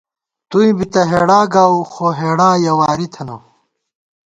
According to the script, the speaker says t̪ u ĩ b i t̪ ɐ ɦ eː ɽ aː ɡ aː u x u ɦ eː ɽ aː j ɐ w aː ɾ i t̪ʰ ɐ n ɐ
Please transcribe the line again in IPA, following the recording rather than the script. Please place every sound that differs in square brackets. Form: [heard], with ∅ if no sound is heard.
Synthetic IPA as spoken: t̪ u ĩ b i t̪ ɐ ɦ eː ɽ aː ɡ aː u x [o] ɦ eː ɽ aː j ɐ w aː ɾ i t̪ʰ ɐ n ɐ